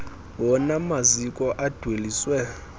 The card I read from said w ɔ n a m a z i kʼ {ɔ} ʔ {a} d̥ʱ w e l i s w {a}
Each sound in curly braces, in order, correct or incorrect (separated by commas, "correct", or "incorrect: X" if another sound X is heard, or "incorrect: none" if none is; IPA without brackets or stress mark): correct, correct, incorrect: ɛ